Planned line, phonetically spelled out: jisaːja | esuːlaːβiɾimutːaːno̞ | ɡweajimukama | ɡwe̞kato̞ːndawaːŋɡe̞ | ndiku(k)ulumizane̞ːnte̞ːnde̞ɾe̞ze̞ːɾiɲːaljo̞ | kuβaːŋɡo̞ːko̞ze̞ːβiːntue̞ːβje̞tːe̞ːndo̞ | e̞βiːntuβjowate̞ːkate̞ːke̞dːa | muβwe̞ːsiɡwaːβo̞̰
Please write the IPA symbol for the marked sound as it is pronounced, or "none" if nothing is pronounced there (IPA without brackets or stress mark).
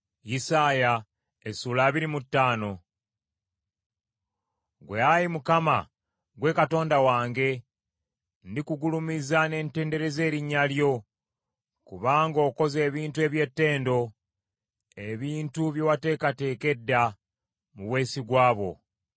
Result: ɡ